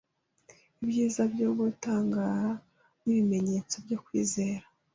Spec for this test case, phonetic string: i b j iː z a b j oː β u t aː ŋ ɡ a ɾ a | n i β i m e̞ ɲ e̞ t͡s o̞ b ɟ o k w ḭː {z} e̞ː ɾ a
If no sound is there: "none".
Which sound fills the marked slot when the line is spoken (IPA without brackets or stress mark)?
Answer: z